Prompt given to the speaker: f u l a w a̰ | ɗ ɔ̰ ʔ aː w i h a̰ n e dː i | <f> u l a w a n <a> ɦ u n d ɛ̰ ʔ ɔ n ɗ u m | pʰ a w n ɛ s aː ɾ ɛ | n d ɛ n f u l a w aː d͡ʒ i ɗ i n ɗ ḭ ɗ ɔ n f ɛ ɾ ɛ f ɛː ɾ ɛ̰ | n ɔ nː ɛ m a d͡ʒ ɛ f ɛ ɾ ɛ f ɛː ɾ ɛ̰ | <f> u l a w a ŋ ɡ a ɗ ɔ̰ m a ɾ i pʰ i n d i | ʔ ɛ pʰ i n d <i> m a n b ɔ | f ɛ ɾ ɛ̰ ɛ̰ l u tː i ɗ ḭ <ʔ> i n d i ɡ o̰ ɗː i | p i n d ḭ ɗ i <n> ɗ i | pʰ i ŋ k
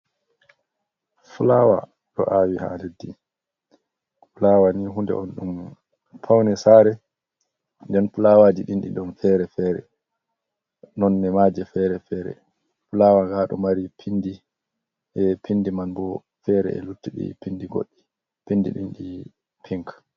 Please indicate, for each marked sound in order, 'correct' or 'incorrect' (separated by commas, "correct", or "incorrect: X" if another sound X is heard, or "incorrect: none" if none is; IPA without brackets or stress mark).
correct, incorrect: i, correct, correct, incorrect: p, correct